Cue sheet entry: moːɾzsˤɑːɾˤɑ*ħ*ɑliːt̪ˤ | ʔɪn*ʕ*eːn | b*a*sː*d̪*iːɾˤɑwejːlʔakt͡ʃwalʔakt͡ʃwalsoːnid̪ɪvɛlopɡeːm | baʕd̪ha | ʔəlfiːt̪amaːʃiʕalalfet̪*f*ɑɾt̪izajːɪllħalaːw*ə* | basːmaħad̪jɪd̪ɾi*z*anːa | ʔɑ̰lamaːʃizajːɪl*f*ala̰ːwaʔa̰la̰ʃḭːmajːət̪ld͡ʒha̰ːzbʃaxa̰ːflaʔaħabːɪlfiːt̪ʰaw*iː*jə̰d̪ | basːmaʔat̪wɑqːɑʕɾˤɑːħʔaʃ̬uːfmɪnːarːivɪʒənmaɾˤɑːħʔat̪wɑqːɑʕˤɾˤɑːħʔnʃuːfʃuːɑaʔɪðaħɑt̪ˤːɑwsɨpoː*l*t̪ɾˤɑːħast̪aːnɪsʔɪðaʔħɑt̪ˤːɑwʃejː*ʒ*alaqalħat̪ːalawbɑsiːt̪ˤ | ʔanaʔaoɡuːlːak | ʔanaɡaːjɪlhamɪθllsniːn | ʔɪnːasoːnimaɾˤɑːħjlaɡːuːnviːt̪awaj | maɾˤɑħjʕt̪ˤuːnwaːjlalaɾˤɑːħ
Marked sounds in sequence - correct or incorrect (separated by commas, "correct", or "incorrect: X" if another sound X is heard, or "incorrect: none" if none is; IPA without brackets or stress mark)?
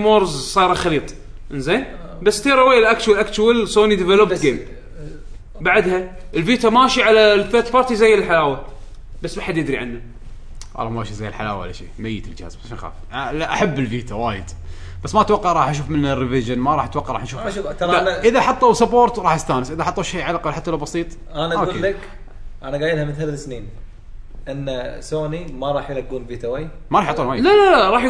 incorrect: x, incorrect: z, correct, incorrect: t̪, correct, incorrect: a, incorrect: ʕ, incorrect: ħ, incorrect: aː, incorrect: ɾ, incorrect: ʕ